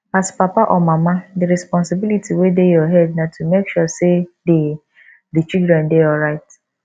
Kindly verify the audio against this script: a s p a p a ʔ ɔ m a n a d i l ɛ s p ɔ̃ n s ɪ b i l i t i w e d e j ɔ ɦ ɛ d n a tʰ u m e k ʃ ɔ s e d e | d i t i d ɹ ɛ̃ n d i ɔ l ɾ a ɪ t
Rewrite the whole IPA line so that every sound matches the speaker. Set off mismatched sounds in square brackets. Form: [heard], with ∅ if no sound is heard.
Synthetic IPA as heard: a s p a p a ʔ ɔ m a [m] a d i [ɾ] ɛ s p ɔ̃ n s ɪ b i l i t i w e d e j ɔ ɦ ɛ d n a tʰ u m e k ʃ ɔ s e d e | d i [t͡ʃ] i d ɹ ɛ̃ n d [e] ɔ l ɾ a ɪ t